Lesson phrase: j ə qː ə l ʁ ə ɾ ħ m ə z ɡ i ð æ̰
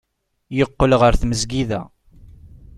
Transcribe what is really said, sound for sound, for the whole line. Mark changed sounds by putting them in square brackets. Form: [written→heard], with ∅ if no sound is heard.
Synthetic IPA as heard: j ə qː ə l ʁ ə ɾ [ħ→θ] m ə z ɡ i ð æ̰